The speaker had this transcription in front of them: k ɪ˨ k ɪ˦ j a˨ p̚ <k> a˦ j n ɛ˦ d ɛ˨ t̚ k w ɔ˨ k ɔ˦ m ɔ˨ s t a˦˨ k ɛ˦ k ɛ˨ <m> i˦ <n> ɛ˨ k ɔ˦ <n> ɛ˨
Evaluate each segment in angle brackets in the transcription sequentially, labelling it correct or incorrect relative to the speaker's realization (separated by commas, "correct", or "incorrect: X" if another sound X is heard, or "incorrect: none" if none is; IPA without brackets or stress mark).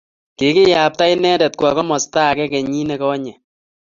incorrect: t, incorrect: ɲ, correct, incorrect: ɲ